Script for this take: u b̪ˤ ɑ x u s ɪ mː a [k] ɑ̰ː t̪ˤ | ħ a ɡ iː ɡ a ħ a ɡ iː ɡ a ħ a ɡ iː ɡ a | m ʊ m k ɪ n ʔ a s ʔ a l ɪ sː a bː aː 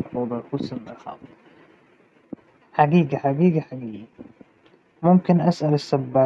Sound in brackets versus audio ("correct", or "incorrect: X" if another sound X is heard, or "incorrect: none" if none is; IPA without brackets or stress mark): incorrect: x